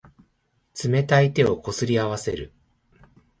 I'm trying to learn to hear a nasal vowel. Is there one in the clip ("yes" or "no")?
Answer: no